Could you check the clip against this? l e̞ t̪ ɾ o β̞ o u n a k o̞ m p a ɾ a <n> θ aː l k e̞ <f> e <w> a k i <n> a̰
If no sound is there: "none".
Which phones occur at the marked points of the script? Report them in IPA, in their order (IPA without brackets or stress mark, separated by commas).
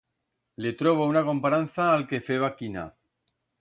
n, f, β, n